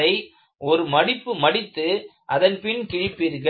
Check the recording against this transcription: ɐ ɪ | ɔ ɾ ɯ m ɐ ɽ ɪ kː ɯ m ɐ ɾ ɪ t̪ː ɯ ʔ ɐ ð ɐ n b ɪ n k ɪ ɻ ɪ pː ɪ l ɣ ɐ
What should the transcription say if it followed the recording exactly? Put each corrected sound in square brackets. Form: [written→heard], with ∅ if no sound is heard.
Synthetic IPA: ɐ ɪ | ɔ ɾ ɯ m ɐ ɽ ɪ [kː→pː] ɯ m ɐ [ɾ→ɽ] ɪ t̪ː ɯ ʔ ɐ ð ɐ n [b→p] ɪ n k ɪ ɻ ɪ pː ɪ [l→ɾ] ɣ ɐ